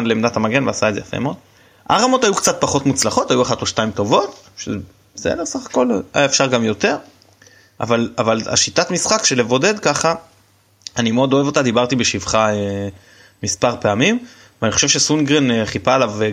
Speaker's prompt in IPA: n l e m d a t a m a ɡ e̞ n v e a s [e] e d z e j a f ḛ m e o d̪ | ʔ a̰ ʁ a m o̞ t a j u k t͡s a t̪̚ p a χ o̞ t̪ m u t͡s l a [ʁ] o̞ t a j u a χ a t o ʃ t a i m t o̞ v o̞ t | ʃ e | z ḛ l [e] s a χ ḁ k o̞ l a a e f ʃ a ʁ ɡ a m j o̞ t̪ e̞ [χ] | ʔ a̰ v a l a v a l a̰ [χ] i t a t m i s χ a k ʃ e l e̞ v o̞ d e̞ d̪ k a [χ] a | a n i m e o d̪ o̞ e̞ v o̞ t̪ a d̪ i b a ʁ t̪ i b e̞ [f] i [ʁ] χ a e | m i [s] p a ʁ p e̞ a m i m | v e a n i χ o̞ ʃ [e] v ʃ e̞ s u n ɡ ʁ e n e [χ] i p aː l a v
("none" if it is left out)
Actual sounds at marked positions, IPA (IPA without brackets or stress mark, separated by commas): a, χ, e, ʁ, ʃ, χ, ʃ, v, s, e, χ